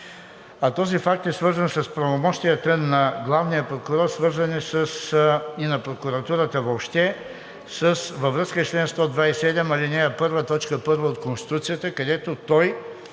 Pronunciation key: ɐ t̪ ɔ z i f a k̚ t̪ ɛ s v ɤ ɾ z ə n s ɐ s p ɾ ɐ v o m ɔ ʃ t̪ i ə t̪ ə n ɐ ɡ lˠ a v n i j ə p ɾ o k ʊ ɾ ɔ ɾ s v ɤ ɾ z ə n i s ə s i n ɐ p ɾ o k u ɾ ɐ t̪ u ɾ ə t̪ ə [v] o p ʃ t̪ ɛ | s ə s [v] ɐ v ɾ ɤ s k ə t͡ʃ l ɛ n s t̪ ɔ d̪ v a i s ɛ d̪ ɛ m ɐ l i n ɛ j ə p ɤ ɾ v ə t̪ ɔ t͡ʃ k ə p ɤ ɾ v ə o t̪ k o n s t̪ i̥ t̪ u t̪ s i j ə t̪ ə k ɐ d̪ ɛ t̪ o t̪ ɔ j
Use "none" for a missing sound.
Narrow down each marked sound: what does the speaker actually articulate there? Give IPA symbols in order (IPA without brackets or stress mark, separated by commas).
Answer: v, v